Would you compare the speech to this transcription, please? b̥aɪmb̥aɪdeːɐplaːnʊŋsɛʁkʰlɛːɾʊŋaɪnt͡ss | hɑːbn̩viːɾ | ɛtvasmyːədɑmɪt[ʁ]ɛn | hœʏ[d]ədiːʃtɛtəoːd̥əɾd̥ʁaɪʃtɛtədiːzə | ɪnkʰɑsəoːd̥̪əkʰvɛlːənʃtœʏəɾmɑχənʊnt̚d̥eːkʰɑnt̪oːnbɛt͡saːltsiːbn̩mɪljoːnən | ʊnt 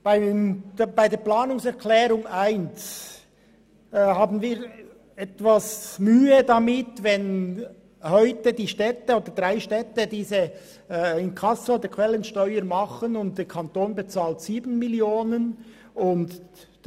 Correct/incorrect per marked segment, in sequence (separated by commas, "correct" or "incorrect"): incorrect, incorrect